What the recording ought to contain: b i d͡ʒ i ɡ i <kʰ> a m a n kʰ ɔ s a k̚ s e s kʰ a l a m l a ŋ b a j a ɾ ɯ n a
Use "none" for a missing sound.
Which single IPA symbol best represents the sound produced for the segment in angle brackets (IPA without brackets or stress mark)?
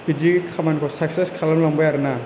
kʰ